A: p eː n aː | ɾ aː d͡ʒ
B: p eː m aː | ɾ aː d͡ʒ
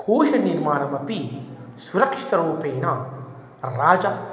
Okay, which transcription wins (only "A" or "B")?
A